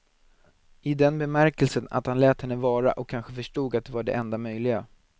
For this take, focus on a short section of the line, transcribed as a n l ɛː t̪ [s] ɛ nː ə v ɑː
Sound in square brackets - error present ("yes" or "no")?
yes